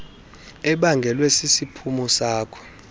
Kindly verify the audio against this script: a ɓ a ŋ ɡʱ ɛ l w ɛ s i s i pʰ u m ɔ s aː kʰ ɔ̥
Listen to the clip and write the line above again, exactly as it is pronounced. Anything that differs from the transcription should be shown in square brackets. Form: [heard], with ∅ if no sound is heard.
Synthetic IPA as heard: [ɛ] ɓ a ŋ ɡʱ ɛ l w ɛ s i s i pʰ u m ɔ s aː kʰ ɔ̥